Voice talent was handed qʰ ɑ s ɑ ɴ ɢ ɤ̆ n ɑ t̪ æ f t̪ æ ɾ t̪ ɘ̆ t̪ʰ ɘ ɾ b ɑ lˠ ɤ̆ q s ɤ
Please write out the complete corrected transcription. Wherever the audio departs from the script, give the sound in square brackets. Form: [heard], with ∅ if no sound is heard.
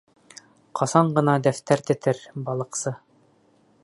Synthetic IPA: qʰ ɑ s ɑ ɴ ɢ ɤ̆ n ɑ [d̪] æ f t̪ æ ɾ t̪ ɘ̆ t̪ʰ ɘ ɾ b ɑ lˠ ɤ̆ q s ɤ